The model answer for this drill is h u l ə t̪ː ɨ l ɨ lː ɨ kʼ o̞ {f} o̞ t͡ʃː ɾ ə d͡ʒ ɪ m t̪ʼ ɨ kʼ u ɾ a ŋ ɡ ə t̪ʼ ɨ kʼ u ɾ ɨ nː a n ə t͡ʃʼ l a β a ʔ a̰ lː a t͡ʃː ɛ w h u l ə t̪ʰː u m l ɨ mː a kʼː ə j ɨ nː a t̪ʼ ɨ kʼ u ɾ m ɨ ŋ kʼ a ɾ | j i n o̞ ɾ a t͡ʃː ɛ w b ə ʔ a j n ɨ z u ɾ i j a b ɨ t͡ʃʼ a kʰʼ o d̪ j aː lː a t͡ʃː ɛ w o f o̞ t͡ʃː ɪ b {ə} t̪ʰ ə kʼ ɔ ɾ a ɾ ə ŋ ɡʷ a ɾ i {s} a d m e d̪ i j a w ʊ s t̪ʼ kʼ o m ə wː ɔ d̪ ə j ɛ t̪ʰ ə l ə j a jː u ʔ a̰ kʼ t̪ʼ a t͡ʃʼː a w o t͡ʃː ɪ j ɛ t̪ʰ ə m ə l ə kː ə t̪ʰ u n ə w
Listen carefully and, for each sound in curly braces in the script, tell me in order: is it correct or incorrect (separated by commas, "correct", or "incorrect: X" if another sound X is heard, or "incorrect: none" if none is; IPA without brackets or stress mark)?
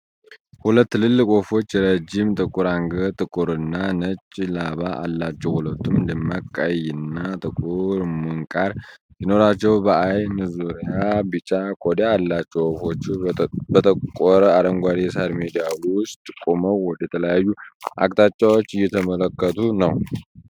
correct, correct, correct